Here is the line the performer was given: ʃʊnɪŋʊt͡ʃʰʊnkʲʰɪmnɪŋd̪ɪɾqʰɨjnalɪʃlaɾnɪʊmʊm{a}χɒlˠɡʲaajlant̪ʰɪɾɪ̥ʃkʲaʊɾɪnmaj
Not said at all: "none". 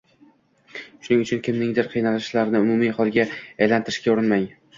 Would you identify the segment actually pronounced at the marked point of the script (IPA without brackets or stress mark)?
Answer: i